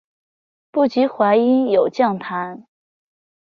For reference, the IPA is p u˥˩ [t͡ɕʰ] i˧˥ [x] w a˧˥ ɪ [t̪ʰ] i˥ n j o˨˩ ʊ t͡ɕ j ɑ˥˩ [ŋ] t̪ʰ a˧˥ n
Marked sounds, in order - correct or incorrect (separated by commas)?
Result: incorrect, correct, incorrect, correct